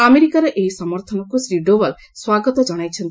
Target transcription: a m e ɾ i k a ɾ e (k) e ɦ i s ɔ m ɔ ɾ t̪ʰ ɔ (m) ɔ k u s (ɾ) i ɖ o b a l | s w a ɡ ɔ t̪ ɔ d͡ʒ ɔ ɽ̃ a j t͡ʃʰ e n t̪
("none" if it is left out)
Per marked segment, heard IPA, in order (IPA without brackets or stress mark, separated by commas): ʔ, n, ɾ